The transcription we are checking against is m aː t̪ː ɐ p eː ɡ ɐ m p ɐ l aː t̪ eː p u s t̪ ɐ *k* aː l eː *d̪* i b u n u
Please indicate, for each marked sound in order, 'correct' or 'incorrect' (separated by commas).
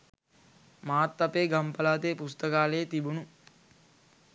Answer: correct, incorrect